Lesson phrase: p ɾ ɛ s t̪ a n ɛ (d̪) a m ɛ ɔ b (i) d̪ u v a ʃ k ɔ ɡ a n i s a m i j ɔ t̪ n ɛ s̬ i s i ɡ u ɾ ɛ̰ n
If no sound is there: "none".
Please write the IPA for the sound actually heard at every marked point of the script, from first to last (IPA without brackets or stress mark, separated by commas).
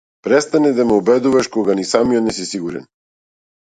d̪, ɛ